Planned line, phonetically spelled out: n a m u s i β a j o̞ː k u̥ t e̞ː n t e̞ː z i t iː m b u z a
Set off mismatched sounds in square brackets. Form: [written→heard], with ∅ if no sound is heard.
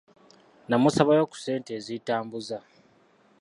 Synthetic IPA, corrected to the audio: n a m u s [i→a] β a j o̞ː k u̥ [t→s] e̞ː n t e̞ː z i t [iː→aː] m b u z a